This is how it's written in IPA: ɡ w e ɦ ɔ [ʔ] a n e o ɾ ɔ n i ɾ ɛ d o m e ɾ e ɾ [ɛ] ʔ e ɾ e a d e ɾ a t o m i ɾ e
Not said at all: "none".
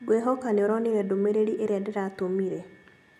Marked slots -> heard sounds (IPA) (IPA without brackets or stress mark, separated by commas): k, i